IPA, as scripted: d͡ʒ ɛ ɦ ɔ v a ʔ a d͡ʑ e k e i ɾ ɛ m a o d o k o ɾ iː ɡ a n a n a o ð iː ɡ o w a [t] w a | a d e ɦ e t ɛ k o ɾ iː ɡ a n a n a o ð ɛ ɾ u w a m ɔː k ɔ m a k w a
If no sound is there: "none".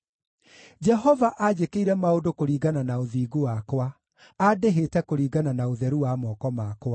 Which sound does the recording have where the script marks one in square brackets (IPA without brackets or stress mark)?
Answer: k